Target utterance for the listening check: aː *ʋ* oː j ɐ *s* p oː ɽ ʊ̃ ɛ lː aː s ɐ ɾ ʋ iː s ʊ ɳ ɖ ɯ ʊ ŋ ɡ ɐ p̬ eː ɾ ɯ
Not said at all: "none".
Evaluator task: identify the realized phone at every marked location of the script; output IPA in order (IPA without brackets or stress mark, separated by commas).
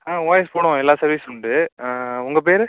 ʋ, s